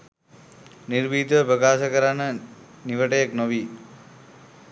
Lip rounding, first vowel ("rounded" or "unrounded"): unrounded